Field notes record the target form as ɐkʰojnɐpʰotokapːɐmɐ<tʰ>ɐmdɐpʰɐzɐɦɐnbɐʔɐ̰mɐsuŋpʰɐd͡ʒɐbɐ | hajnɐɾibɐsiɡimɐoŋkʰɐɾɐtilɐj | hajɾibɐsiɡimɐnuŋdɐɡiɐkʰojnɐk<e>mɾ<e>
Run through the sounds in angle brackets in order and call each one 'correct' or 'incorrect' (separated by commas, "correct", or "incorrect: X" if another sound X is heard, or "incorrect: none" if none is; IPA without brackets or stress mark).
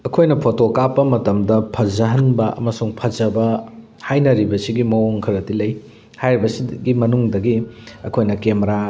incorrect: t, correct, incorrect: a